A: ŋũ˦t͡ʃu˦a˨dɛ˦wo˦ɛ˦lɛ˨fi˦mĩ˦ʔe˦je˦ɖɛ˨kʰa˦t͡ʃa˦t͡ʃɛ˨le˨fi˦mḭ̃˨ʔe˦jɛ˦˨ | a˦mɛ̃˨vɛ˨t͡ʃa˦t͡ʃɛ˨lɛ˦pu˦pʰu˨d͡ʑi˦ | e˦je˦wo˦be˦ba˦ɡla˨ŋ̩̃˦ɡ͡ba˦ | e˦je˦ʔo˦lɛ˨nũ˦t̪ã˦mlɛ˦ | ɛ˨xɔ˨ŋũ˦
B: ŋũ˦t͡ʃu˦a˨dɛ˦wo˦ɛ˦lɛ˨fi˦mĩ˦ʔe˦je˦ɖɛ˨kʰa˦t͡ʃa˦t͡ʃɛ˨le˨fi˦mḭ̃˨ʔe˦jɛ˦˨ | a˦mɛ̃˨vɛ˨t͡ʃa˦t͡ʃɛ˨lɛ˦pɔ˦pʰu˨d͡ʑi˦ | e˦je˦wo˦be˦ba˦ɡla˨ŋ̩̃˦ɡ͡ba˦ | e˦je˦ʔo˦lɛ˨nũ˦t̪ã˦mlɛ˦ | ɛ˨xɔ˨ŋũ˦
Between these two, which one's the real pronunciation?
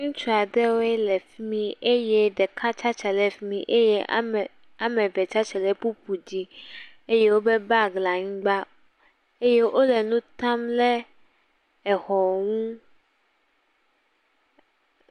A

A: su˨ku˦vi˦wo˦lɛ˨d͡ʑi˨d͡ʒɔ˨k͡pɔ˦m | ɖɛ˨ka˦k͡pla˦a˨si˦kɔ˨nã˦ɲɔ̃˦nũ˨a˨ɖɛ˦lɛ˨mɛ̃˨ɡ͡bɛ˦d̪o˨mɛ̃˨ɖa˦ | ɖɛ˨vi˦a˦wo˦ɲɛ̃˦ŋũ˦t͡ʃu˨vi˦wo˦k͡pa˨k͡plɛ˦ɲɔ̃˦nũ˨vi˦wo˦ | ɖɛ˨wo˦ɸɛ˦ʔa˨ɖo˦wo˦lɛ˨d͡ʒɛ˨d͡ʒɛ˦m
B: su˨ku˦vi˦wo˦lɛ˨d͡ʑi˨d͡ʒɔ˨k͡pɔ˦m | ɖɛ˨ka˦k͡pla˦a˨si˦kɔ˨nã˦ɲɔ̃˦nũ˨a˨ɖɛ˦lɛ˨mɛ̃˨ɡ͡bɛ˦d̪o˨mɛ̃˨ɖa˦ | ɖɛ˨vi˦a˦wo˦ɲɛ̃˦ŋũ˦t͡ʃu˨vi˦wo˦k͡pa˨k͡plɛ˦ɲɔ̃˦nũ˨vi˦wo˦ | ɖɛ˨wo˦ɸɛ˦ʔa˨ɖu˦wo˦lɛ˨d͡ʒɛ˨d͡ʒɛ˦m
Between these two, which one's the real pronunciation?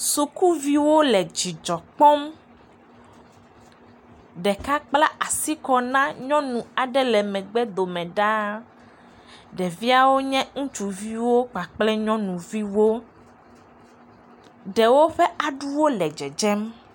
B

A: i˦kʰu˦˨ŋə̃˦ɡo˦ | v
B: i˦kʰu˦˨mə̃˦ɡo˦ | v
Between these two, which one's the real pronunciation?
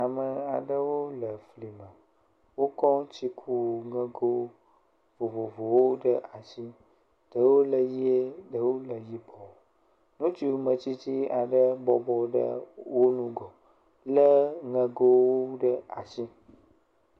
A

